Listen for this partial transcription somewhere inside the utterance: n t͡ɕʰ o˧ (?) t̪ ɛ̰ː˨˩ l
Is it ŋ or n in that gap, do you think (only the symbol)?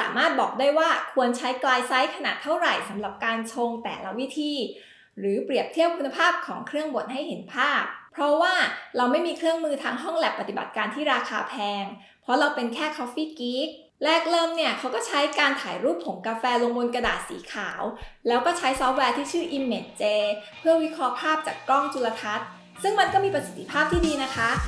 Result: ŋ